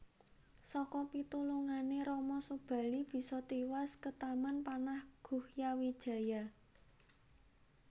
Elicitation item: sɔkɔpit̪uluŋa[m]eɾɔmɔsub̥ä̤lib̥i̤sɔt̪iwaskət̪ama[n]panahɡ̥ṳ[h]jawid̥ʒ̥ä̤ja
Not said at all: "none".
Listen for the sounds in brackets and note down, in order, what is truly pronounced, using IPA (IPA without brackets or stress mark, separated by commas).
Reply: n, n, h